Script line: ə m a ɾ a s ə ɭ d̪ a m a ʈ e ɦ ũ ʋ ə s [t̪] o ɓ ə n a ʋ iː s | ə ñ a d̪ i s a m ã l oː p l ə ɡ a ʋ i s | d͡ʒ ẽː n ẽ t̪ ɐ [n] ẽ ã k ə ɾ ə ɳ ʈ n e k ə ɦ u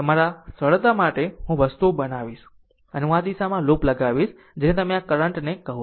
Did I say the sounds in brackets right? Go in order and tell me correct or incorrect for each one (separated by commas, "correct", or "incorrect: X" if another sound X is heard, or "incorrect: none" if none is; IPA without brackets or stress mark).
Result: correct, incorrect: m